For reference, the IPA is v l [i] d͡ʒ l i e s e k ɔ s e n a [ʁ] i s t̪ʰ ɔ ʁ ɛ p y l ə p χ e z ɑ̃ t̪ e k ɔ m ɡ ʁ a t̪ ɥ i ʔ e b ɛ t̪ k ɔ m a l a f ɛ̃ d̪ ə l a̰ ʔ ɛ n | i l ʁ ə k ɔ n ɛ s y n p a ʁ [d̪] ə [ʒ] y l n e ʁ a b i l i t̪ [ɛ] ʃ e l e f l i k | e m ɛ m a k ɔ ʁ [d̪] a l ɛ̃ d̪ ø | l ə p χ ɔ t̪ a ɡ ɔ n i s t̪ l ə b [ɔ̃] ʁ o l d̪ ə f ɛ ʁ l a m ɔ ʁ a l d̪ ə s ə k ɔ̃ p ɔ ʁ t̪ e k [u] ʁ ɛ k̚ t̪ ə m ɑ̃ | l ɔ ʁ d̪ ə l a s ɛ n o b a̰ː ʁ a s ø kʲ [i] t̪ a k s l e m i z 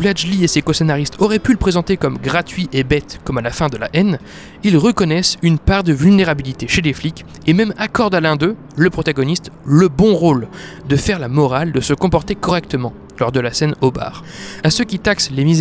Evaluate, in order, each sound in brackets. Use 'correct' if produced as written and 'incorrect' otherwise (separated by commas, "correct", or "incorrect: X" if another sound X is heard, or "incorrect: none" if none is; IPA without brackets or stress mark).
incorrect: a, correct, correct, incorrect: v, incorrect: e, correct, correct, incorrect: ɔ, correct